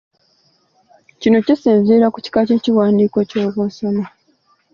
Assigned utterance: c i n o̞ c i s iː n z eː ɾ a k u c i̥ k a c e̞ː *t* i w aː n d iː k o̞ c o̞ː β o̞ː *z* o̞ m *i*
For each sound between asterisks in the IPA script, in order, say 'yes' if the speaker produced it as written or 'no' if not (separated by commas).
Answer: no, no, no